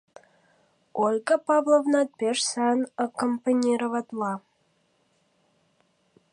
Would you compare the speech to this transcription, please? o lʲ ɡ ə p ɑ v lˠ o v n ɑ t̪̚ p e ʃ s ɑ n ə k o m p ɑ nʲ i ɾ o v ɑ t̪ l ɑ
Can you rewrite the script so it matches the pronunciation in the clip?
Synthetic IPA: o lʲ ɡ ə p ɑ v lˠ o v n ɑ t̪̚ p e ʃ s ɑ n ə k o m p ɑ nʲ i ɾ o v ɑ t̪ l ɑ

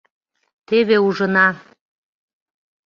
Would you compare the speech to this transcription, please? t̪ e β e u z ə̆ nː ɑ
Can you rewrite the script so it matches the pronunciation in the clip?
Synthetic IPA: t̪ e β e u ʒ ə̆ n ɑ

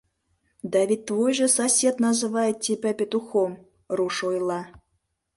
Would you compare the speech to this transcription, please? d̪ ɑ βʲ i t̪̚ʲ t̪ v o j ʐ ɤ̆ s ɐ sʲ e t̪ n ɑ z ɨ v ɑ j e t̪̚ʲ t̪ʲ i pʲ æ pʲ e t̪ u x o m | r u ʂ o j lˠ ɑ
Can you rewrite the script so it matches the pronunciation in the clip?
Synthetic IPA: d̪ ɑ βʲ i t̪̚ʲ t̪ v o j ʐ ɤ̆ s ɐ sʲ e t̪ n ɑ z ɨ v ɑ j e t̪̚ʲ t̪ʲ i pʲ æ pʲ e t̪ u x o m | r u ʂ o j lˠ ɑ

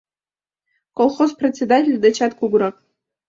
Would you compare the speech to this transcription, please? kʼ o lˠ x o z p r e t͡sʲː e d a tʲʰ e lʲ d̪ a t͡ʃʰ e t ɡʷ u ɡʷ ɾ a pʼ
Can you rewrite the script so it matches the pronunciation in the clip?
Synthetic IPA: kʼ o lˠ χ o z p r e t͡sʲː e d a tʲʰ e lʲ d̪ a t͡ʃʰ a t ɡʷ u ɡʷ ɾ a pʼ

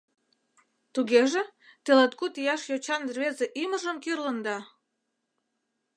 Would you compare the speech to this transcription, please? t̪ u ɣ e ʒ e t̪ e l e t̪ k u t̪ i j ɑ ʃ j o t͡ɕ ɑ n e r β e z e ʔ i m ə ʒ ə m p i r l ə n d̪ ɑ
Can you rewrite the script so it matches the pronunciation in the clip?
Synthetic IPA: t̪ u ɣ e ʒ e t̪ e l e t̪ k u t̪ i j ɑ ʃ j o t͡ɕ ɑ n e r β e z e ʔ i m ə ʒ ə m k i r l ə n d̪ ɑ

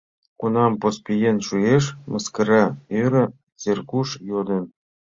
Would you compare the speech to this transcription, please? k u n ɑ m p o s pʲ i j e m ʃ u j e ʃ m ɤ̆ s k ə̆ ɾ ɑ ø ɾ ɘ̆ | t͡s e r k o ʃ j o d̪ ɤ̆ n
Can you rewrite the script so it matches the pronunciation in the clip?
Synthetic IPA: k u n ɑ m p o s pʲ i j e n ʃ u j e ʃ m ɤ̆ s k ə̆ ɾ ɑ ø ɾ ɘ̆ | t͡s e r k u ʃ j o d̪ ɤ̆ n

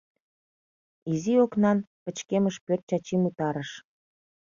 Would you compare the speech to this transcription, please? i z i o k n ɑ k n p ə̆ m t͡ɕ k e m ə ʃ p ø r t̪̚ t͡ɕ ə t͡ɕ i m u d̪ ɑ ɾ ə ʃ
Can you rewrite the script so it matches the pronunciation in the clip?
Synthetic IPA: i z i o k n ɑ n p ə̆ t͡ɕ k e m ə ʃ p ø r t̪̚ t͡ɕ ɑ t͡ɕ i m u t̪ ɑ ɾ ə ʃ

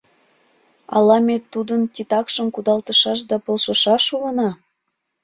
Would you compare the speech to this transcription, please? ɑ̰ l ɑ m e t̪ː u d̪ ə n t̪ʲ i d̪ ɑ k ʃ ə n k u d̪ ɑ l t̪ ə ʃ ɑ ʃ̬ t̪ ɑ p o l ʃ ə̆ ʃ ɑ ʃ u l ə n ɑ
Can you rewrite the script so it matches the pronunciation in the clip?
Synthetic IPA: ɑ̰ l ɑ m e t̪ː u d̪ ə n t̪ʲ i t̪ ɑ k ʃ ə m k u d̪ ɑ l t̪ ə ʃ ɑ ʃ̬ d̪ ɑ p o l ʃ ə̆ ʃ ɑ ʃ u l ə n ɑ

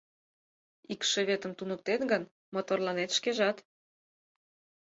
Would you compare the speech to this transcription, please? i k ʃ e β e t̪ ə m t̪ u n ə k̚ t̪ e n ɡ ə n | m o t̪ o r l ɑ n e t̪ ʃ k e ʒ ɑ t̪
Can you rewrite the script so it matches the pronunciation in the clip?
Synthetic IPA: i k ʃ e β e t̪ ə m t̪ u n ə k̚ t̪ e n ɡ ə n | m o t̪ o r l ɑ n e t̪ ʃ k e ʒ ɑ t̪

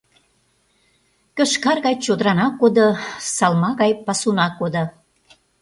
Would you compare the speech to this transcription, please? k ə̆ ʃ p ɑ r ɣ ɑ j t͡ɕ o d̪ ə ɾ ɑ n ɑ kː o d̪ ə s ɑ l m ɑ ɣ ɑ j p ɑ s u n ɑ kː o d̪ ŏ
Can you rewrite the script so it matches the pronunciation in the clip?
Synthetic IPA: k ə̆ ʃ k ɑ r ɣ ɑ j t͡ɕ o d̪ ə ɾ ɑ n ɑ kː o d̪ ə s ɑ l m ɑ ɣ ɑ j p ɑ s u n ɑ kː o d̪ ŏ

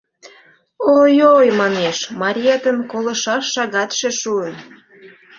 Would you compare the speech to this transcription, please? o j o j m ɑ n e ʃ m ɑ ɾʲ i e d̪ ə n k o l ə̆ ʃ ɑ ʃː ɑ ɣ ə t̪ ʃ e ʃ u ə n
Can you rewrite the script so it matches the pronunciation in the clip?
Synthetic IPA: o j o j m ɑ n e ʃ m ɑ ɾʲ i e t̪ ə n k o l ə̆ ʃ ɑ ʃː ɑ ɣ ɑ t̪ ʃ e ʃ u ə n

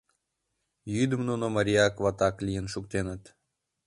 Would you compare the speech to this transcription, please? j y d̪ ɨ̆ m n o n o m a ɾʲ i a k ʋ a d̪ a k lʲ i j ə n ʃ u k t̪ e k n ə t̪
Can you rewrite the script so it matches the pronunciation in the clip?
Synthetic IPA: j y d̪ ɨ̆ m n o n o m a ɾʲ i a k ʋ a t̪ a k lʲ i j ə n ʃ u k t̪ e n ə t̪

